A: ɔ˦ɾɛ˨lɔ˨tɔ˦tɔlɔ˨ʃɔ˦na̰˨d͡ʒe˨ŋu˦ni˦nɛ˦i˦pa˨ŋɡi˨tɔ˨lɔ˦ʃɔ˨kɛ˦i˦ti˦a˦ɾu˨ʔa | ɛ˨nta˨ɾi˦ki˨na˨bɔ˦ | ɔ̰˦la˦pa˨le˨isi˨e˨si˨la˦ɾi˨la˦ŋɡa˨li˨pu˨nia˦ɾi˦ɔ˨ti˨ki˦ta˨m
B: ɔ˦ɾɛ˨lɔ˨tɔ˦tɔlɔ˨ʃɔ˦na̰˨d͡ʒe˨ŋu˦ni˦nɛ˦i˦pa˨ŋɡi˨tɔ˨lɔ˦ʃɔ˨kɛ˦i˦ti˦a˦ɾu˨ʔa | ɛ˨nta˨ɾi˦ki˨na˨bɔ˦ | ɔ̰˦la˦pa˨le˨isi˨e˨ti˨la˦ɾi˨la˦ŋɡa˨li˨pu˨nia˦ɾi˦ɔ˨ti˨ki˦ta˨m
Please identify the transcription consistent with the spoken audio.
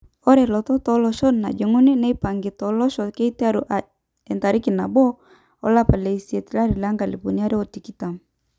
B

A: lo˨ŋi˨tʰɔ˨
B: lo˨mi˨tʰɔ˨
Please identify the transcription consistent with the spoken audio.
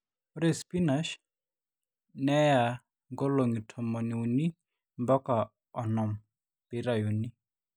A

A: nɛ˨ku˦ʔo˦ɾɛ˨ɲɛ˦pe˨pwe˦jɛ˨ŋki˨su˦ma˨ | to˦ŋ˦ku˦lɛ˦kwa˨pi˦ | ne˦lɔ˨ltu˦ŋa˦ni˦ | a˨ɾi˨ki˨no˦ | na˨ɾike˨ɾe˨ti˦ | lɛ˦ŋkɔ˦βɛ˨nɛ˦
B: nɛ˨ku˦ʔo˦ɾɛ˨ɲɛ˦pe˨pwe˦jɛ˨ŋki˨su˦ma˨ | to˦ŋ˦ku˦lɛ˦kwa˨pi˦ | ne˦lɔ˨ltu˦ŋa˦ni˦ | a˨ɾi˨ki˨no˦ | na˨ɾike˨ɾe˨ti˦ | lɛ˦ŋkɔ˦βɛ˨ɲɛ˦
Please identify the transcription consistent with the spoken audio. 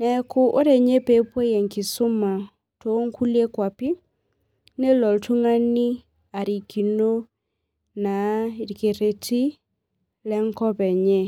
B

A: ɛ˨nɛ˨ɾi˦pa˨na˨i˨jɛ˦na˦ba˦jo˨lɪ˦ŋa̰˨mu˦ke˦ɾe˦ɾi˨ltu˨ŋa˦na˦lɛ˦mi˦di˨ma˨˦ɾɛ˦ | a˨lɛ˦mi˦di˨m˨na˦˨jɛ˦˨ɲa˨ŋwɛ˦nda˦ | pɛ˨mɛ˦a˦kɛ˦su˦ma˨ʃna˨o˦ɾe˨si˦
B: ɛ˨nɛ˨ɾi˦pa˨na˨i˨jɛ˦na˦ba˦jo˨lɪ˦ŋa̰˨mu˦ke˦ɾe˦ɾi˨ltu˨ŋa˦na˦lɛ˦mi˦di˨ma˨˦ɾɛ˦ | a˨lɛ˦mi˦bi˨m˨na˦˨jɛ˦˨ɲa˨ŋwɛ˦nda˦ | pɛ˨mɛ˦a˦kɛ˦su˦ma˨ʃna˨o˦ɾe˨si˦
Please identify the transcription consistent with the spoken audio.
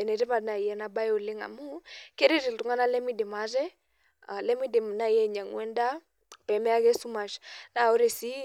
A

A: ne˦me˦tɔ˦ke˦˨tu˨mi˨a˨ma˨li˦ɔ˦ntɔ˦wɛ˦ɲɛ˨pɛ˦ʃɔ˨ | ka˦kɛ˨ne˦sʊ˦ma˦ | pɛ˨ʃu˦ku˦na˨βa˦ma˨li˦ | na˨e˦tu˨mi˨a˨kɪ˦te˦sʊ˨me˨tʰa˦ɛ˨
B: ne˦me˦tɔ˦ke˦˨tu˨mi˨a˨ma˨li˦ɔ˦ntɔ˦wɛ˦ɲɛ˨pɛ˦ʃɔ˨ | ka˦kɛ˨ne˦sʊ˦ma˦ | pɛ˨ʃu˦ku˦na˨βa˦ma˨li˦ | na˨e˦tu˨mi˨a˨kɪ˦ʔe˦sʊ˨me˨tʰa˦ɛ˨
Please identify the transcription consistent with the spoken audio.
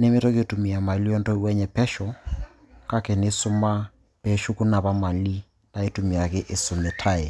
B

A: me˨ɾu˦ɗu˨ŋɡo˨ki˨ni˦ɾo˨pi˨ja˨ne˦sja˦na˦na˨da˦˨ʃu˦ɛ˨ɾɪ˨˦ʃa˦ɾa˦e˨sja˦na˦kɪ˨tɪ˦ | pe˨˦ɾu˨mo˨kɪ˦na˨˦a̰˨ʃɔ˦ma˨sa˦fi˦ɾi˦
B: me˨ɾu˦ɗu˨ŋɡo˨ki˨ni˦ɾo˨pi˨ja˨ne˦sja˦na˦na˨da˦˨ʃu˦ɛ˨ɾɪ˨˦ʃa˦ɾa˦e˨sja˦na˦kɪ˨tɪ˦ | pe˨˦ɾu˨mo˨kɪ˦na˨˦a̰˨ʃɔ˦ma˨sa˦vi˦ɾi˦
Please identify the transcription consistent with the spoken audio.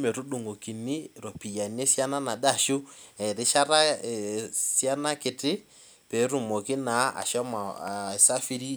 A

